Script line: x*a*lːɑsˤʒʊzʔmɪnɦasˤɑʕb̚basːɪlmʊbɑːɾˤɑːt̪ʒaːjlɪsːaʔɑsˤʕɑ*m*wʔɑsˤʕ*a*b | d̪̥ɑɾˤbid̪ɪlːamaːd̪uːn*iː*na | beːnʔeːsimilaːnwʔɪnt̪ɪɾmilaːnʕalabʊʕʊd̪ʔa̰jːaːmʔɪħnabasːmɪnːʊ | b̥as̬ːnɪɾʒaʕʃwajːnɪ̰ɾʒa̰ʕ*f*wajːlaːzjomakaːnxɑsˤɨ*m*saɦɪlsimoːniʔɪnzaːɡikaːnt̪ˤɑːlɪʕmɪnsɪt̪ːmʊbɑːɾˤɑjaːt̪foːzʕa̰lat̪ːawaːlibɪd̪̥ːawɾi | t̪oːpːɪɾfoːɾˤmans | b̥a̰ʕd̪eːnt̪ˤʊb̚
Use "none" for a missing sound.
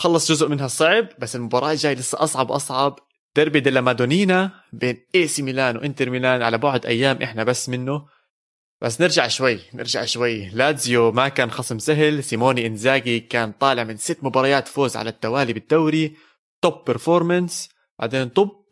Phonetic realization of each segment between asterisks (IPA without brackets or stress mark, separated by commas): ɑ, b, ɑ, iː, ʃ, m